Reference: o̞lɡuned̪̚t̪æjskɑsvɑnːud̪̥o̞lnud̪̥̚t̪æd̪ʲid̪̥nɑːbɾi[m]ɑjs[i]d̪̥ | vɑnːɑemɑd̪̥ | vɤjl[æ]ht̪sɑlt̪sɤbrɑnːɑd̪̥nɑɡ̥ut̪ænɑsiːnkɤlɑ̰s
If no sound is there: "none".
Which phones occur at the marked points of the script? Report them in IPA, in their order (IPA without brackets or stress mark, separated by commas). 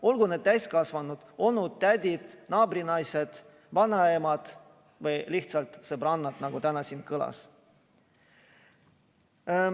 n, e, i